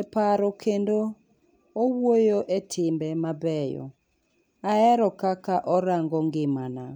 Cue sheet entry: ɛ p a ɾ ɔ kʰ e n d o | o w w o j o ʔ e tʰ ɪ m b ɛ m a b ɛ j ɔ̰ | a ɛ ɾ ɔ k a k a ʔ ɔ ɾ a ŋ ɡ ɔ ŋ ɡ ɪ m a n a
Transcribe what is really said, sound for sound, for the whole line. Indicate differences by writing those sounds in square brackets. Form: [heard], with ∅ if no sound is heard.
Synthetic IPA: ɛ p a ɾ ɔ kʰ e n d o | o w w o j o ʔ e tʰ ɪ m b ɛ m a b ɛ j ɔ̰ | a ɛ ɾ ɔ k a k a ʔ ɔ ɾ a ŋ ɡ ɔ ŋ ɡ ɪ m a n a